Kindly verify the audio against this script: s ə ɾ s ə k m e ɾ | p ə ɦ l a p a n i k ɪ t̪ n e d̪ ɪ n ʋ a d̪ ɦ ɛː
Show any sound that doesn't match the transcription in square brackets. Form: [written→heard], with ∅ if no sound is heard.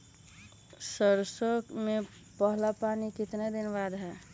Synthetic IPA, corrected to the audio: s ə ɾ s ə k m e [ɾ→∅] | p ə ɦ l a p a n i k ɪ t̪ n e d̪ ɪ n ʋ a d̪ ɦ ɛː